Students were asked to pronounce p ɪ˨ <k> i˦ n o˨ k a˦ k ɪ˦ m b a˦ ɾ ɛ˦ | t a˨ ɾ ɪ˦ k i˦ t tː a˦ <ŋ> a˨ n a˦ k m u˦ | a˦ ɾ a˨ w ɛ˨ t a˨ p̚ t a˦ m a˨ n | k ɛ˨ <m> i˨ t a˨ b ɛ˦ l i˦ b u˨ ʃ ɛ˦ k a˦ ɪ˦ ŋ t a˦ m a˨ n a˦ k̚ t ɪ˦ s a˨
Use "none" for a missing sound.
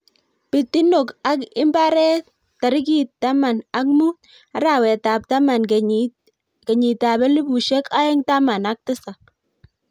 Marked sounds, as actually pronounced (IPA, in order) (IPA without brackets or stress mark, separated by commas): t, m, ɲ